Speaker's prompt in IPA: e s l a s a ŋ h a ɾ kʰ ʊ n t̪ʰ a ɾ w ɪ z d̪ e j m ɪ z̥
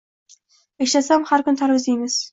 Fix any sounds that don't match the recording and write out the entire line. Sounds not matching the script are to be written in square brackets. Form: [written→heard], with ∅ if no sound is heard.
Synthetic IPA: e [s→ʃ] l a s a [ŋ→m] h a ɾ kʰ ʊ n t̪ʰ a ɾ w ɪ z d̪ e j m ɪ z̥